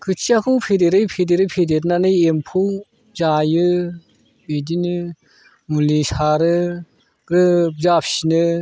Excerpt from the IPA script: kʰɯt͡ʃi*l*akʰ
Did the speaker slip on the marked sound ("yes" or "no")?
yes